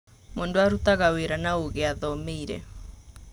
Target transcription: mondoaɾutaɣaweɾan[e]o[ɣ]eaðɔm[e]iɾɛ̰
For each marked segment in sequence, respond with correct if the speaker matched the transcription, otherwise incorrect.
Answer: incorrect: a, correct, correct

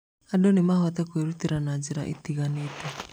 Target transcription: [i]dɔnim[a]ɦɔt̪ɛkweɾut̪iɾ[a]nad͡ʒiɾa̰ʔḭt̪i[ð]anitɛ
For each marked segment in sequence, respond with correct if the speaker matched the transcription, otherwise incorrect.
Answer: incorrect: a, correct, correct, incorrect: ɣ

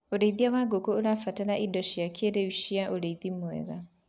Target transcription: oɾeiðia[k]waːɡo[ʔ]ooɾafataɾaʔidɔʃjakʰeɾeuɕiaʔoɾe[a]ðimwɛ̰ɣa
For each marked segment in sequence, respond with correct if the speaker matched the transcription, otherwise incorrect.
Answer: incorrect: none, incorrect: k, incorrect: i

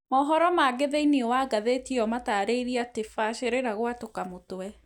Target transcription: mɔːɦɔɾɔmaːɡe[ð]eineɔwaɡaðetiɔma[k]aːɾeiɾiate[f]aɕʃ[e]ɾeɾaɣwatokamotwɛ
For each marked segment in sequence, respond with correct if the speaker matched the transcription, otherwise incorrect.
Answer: correct, incorrect: t, correct, correct

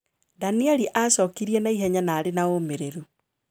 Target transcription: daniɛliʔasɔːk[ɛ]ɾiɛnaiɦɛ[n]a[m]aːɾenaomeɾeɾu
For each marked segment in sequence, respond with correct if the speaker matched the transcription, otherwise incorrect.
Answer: incorrect: i, incorrect: ɲ, incorrect: n

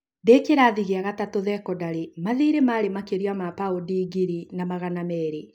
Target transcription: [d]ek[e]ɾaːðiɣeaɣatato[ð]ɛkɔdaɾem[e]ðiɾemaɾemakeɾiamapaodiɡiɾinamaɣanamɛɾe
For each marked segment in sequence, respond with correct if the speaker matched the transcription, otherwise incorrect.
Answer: correct, correct, correct, incorrect: a

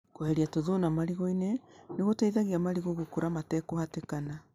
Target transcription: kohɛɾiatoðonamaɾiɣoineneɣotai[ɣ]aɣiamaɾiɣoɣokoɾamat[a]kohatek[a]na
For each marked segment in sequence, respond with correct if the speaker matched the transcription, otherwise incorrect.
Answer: incorrect: ð, incorrect: ɛ, correct

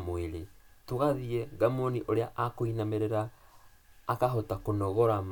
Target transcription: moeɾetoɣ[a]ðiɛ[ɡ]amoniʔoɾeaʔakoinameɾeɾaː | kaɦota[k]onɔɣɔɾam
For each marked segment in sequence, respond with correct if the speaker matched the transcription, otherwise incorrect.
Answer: correct, correct, correct

